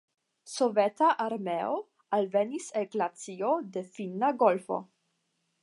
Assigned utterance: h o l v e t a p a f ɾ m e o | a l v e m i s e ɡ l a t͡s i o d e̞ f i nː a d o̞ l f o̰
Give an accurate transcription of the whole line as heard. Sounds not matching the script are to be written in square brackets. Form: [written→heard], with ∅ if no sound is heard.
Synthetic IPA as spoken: [h→s] o [l→∅] v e t a [p→ʔ] a [f→∅] ɾ m e o | a l v e [m→n] i s e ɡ l a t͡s i o d e̞ f i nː a [d→ɡ] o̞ l f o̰